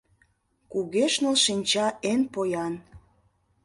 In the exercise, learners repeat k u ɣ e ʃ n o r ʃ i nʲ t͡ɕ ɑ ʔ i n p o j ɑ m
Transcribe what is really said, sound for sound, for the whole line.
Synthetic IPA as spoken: k u ɣ e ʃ n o l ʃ i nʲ t͡ɕ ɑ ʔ e n p o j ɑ n